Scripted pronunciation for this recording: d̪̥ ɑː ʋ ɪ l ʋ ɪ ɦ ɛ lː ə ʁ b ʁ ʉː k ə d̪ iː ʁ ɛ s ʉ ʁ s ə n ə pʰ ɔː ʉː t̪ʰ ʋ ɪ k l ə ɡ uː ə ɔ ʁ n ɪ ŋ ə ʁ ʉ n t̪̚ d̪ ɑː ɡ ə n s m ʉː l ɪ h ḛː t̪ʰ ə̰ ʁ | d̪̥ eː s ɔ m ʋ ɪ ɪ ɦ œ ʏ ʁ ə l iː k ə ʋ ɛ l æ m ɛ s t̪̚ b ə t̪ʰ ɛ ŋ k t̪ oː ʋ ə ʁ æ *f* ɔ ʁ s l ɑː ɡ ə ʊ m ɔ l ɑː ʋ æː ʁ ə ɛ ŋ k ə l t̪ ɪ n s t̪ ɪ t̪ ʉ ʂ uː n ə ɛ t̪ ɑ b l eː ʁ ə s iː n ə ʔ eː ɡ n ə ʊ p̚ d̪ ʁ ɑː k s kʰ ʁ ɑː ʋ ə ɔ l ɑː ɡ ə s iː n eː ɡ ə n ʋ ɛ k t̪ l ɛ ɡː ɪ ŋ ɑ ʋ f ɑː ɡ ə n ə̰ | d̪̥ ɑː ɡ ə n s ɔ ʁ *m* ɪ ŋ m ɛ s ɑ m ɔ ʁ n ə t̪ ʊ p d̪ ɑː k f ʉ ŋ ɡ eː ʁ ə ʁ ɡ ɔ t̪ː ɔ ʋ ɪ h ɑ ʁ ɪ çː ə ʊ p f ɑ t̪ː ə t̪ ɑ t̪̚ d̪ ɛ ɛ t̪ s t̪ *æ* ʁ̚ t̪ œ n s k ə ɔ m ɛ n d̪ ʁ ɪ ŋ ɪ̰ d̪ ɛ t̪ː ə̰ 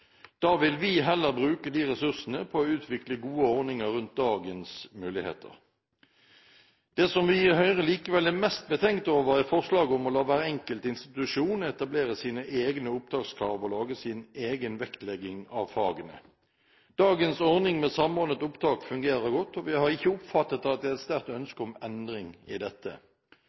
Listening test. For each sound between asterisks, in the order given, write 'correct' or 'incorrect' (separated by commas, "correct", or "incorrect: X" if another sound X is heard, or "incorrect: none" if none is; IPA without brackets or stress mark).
correct, incorrect: n, correct